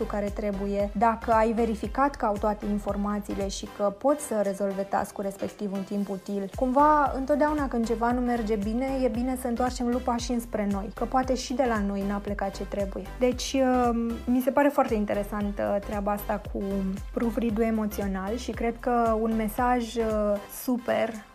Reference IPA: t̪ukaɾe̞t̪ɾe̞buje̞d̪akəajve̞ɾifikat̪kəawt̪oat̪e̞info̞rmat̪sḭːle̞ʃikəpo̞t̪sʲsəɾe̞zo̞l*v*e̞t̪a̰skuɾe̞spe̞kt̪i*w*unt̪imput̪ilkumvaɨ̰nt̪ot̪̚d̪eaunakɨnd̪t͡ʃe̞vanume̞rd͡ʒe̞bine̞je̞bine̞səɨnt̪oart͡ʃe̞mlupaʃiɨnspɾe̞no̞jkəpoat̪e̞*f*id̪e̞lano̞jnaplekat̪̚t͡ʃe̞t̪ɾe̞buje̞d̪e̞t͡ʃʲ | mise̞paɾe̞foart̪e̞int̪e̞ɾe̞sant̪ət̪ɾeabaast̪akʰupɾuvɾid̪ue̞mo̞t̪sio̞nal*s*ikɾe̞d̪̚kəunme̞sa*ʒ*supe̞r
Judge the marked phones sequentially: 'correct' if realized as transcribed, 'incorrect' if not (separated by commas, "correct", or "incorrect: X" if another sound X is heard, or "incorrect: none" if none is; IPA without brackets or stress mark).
correct, incorrect: v, incorrect: ʃ, incorrect: ʃ, correct